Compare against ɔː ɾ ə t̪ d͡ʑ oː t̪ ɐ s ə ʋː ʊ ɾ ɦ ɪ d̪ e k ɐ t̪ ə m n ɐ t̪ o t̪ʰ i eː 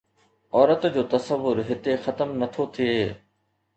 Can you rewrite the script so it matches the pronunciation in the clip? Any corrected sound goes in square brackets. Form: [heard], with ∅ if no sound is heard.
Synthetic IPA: ɔː ɾ ə t̪ d͡ʑ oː t̪ ɐ s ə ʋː ʊ ɾ ɦ ɪ [t̪] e [x] ɐ t̪ ə m n ɐ [t̪ʰ] o t̪ʰ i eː